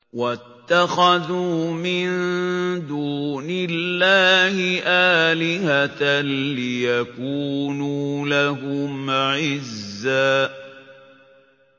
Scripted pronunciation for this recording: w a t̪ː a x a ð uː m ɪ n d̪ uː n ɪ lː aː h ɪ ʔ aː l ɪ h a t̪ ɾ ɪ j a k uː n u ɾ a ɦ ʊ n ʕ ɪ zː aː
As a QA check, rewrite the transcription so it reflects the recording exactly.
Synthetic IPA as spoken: w a t̪ː a x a ð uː m ɪ n d̪ uː n ɪ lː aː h ɪ ʔ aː l ɪ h a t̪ l ɪ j a k uː n u l a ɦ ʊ m ʕ ɪ zː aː